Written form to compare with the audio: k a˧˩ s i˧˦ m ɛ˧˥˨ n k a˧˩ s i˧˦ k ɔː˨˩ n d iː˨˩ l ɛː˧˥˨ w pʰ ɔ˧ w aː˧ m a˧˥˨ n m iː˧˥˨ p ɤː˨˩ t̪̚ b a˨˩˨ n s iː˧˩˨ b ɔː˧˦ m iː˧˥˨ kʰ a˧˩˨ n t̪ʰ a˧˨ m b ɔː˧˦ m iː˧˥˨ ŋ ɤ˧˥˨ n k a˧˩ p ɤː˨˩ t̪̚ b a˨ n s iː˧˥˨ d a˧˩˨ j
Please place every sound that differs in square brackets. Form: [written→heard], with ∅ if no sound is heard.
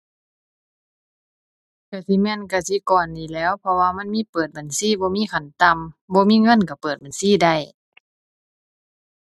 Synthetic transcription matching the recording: k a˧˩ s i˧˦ m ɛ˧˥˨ n k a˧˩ s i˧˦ k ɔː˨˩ n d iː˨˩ l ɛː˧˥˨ w pʰ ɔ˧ w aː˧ m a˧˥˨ n m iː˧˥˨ p ɤː˨˩ t̪̚ b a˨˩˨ n s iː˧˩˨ b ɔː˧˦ m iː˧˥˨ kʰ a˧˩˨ n [t̪ʰ→t̪] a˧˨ m b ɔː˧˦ m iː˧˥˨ ŋ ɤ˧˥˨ n k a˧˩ p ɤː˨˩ t̪̚ b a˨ n s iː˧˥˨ d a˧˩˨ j